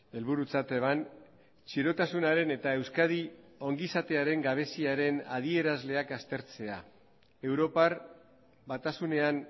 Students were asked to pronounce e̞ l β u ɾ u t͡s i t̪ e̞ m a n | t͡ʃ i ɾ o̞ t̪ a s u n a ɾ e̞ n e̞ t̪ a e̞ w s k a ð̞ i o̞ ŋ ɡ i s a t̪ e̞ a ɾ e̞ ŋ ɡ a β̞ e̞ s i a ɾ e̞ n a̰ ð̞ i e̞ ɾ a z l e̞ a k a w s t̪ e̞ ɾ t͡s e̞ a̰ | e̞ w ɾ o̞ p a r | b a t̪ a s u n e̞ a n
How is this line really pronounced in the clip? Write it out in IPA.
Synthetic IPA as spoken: e̞ l β u ɾ u t͡s a t̪ e̞ m a n | t͡ʃ i ɾ o̞ t̪ a s u n a ɾ e̞ n e̞ t̪ a e̞ w s k a ð̞ i o̞ ŋ ɡ i s a t̪ e̞ a ɾ e̞ ŋ ɡ a β̞ e̞ s i a ɾ e̞ n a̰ ð̞ i e̞ ɾ a z l e̞ a k a s t̪ e̞ ɾ t͡s e̞ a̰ | e̞ w ɾ o̞ p a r | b a t̪ a s u n e̞ a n